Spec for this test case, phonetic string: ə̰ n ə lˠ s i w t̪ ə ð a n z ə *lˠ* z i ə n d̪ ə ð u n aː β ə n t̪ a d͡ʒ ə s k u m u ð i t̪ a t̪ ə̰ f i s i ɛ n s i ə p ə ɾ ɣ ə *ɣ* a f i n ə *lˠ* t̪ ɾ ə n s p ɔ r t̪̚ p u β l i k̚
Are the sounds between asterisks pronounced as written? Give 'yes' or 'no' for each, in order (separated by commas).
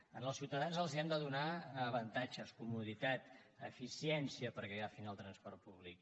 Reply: yes, yes, yes